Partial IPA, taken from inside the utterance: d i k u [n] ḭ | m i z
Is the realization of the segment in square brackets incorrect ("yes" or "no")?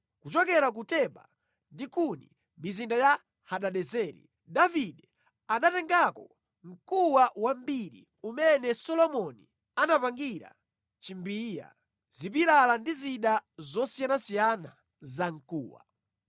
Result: no